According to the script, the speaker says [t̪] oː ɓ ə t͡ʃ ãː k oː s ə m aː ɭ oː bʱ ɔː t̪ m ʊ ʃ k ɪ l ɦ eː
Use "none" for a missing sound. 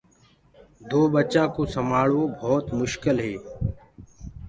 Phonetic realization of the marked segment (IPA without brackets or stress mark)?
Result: d̪